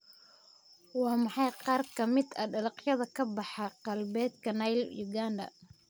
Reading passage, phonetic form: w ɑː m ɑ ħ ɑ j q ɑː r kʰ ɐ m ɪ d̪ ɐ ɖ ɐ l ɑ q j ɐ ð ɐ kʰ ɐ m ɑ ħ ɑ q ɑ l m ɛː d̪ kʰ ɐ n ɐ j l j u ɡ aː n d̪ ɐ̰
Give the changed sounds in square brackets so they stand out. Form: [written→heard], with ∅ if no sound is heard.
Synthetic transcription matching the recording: w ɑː m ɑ ħ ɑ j q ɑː r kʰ ɐ m ɪ d̪ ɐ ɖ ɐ l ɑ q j ɐ ð ɐ kʰ ɐ [m→b] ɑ ħ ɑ q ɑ l [m→b] ɛː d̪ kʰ ɐ n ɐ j l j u ɡ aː n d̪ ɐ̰